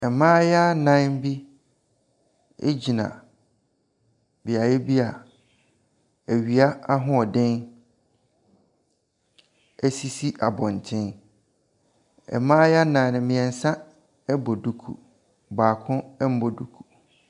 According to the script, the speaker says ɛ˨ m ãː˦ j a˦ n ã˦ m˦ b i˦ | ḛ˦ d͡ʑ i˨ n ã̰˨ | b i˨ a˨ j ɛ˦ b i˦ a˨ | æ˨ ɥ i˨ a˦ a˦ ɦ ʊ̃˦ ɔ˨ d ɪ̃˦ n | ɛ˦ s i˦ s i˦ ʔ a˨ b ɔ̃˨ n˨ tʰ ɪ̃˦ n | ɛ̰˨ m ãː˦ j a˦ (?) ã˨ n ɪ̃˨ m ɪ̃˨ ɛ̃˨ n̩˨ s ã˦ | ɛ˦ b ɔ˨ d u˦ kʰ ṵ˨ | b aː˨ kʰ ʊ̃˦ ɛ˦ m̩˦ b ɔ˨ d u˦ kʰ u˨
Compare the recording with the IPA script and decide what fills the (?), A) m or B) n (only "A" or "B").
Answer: B